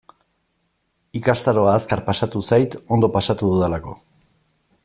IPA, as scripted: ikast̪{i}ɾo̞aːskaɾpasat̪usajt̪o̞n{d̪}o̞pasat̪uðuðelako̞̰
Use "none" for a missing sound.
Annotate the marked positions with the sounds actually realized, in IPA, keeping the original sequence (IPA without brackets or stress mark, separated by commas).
a, d̪